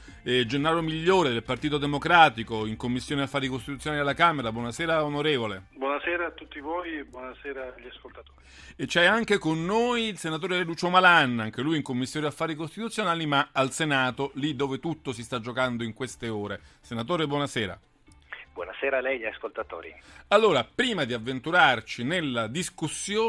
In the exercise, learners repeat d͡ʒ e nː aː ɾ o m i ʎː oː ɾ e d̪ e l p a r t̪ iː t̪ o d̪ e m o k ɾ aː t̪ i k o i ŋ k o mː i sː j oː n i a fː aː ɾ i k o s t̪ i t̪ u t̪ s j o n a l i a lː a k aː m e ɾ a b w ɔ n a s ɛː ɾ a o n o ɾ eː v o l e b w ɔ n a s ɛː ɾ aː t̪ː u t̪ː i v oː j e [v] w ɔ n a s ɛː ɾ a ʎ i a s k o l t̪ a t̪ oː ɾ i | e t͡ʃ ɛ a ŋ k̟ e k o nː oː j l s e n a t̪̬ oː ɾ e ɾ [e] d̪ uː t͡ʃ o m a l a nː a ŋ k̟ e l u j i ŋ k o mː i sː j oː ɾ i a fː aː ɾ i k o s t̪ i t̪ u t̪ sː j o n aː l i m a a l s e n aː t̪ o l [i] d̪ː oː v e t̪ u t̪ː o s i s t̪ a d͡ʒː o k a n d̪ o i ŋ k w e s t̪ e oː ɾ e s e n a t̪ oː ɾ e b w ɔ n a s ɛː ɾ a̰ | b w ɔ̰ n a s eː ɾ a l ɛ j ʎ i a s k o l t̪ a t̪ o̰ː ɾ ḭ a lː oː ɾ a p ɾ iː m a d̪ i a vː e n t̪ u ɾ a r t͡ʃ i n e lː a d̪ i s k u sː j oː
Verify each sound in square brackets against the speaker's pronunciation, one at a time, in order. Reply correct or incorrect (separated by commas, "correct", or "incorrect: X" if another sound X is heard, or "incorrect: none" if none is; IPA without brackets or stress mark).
incorrect: b, correct, correct